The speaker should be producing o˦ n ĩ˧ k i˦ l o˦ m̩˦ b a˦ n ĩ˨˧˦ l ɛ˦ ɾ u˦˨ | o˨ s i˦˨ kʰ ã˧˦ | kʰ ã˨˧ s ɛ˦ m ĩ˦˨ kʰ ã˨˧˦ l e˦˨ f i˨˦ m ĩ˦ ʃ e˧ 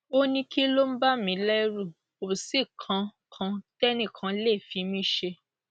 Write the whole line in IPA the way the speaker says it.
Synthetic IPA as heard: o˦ n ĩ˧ k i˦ l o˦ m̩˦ b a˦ m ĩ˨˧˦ l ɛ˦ ɾ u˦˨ | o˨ s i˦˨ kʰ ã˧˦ | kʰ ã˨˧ t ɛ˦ n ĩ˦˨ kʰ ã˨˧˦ l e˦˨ f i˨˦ m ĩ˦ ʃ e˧